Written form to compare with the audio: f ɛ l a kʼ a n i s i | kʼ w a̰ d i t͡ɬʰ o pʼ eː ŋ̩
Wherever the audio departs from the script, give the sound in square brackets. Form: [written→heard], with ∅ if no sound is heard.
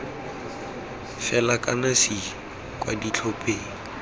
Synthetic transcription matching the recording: f ɛ l a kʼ a n [i→a] s i | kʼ w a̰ d i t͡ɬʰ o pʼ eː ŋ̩